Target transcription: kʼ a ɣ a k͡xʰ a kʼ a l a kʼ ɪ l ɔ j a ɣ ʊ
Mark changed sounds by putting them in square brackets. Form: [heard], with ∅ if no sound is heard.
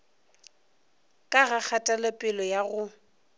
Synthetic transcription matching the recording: kʼ a ɣ a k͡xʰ a [tʼ] a l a [pʼ] ɪ l ɔ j a ɣ ʊ